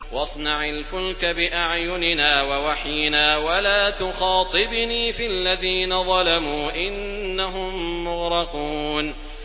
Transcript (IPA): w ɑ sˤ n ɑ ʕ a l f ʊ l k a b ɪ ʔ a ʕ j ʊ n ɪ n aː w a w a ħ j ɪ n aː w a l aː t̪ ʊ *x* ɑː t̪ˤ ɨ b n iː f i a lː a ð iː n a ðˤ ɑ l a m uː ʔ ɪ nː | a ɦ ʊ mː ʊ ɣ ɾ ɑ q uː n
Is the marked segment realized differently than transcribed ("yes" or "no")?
no